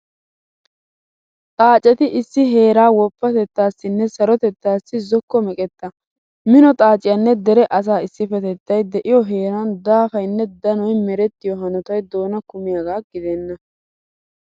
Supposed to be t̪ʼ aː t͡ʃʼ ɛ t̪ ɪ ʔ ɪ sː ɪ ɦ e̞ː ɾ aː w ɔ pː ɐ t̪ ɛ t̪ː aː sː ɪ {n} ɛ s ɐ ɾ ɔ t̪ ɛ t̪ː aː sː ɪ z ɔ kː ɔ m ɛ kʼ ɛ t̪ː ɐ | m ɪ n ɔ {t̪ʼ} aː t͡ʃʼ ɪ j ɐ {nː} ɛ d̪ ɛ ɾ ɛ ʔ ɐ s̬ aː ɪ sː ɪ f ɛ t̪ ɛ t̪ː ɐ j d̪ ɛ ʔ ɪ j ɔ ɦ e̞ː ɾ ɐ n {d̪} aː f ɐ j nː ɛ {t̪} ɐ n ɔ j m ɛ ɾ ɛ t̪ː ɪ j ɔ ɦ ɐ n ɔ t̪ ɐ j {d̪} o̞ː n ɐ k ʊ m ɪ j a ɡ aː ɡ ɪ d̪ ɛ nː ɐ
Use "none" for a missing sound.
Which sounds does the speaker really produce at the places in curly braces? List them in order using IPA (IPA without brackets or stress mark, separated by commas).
nː, t̪ʼ, nː, d̪, d̪, d̪